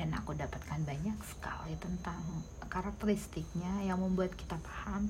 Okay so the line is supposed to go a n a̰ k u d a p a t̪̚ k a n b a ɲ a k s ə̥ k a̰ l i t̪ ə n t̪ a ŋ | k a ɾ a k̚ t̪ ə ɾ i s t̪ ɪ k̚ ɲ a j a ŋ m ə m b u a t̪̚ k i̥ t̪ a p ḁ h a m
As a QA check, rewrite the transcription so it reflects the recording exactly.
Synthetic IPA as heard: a n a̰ k u d a p a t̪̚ k a n b a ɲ a k s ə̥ k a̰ l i t̪ ə n t̪ a ŋ | k a ɾ a k̚ t̪ ə ɾ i s t̪ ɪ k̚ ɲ a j a ŋ m ə m b u a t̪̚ k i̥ t̪ a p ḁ h a m